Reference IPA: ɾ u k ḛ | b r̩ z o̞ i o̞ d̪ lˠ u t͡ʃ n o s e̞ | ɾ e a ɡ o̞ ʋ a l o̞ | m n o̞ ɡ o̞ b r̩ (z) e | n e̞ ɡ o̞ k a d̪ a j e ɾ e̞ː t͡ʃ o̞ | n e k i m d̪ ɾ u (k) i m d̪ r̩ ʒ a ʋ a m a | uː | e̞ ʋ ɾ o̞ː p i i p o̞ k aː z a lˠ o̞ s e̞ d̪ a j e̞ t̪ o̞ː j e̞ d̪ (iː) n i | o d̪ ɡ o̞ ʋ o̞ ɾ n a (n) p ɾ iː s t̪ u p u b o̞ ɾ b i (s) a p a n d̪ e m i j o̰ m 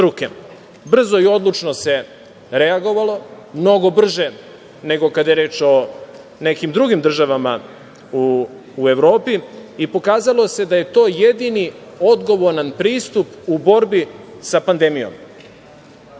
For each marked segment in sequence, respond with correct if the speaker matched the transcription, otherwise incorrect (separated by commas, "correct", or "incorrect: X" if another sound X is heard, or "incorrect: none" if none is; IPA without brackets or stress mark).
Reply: incorrect: ʒ, incorrect: ɡ, incorrect: i, correct, correct